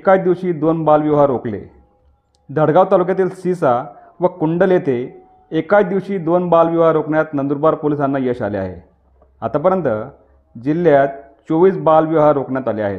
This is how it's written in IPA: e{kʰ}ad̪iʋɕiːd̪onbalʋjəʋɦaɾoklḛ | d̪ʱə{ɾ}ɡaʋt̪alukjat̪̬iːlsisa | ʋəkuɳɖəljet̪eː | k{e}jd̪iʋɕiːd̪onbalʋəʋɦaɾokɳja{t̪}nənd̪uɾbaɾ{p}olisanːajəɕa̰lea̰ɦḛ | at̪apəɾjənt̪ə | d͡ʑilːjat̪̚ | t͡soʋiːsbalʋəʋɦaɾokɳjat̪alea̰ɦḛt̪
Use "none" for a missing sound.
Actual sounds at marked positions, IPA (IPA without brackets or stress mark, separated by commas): k, ɽ, a, t̪, p